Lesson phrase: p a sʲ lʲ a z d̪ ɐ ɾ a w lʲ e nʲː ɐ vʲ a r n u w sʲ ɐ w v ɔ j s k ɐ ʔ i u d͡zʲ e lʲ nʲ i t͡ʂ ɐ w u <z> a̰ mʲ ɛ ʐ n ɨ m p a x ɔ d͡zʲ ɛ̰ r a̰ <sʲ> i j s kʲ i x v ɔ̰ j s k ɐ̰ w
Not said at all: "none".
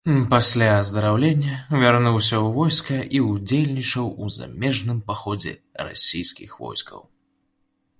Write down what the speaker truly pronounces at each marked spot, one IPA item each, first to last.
z, sʲ

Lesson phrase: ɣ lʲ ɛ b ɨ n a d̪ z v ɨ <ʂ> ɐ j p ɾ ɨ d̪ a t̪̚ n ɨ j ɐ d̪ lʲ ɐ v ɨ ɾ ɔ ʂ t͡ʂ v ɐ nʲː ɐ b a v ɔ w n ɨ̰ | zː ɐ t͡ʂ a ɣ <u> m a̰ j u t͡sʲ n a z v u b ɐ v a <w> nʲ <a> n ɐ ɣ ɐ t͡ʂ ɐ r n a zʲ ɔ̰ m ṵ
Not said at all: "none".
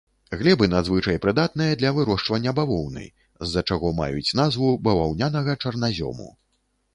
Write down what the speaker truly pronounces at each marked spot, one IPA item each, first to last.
t͡ʂ, ɔ, w, a

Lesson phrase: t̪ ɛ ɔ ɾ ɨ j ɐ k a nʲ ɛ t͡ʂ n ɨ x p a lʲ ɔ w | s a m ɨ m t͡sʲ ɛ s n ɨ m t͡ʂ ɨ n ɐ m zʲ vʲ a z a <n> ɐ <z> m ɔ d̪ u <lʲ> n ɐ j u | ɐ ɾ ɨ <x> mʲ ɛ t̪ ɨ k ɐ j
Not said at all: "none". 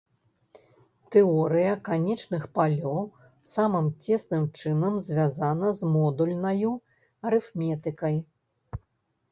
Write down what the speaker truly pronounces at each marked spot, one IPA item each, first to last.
n, z, lʲ, f

